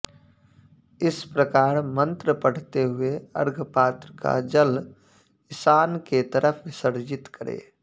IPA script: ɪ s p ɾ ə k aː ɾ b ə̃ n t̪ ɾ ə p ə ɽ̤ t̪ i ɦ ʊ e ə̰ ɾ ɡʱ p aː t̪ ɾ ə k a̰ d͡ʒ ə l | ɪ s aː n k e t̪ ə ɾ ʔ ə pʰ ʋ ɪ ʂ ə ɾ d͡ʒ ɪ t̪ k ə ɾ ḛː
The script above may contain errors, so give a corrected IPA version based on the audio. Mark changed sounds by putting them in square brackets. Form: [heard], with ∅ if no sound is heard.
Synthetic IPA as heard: ɪ s p ɾ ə k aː ɾ [m] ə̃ n t̪ ɾ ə p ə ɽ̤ t̪ [e] ɦ ʊ e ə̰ ɾ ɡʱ p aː t̪ ɾ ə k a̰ d͡ʒ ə l | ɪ s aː n k e t̪ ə ɾ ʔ ə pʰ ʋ ɪ [s] ə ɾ d͡ʒ ɪ t̪ k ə ɾ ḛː

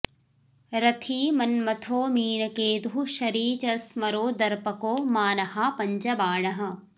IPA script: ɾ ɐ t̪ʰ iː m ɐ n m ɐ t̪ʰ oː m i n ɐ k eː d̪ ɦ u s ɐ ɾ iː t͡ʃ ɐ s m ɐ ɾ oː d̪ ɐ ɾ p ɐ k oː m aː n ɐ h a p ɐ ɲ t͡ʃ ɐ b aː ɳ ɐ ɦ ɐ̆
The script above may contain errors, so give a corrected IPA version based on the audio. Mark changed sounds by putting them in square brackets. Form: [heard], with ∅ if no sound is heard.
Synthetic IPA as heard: ɾ ɐ t̪ʰ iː m ɐ n m ɐ t̪ʰ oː m [iː] n ɐ k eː d̪ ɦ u [ʃ] ɐ ɾ iː t͡ʃ ɐ s m ɐ ɾ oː d̪ ɐ ɾ p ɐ k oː m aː n ɐ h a p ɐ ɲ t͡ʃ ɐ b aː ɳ ɐ ɦ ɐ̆

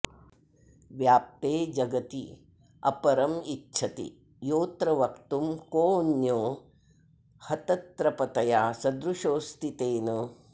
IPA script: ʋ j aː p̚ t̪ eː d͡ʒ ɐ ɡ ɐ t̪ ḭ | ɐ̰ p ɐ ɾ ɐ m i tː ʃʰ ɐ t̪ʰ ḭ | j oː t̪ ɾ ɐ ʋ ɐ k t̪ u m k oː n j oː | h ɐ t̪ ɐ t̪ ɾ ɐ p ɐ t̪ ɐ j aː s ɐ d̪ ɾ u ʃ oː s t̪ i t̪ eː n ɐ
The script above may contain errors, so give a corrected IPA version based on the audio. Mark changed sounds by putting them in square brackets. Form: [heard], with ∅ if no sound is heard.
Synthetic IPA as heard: ʋ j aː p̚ t̪ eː d͡ʒ ɐ ɡ ɐ t̪ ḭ | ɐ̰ p ɐ ɾ ɐ m i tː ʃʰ ɐ [t̪] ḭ | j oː t̪ ɾ ɐ ʋ ɐ k t̪ u m k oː n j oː | h ɐ t̪ ɐ t̪ ɾ ɐ p ɐ t̪ ɐ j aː s ɐ d̪ ɾ u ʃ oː s t̪ i t̪ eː n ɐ

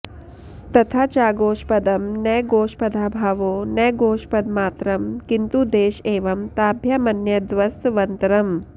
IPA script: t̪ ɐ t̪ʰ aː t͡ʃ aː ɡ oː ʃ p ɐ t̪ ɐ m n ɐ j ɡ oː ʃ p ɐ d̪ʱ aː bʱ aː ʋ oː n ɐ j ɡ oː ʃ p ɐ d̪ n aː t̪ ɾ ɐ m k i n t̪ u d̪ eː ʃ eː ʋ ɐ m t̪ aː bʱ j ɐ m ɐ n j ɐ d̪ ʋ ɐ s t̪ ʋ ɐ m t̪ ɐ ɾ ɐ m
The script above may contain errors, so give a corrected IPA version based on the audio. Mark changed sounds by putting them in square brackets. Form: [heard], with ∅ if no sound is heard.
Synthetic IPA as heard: t̪ ɐ t̪ʰ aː t͡ʃ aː ɡ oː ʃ p ɐ [d̪] ɐ m n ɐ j ɡ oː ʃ p ɐ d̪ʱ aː bʱ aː ʋ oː n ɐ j ɡ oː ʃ p ɐ d̪ [m] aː t̪ ɾ ɐ m k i n t̪ u d̪ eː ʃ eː ʋ ɐ m t̪ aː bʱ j ɐ m ɐ n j ɐ d̪ ʋ ɐ s t̪ ʋ ɐ [n] t̪ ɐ ɾ ɐ m

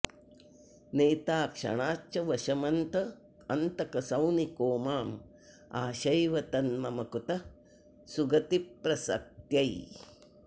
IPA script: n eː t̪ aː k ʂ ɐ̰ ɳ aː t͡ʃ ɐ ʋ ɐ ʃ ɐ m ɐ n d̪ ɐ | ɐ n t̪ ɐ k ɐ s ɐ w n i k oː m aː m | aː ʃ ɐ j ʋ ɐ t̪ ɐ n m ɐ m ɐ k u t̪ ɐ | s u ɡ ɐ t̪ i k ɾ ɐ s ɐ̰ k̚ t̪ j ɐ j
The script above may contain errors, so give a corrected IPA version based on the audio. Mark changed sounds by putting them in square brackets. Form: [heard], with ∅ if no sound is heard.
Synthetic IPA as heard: n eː t̪ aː k ʂ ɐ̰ ɳ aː t͡ʃ ɐ ʋ ɐ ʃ ɐ m ɐ n [t̪] ɐ | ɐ n t̪ ɐ k ɐ s ɐ w n i k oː m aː m | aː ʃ ɐ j ʋ ɐ t̪ ɐ n m ɐ m ɐ k u t̪ ɐ | s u ɡ ɐ t̪ i [p] ɾ ɐ s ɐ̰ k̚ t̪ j ɐ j

